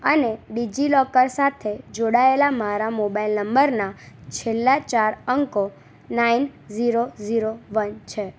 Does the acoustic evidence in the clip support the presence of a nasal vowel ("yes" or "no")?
no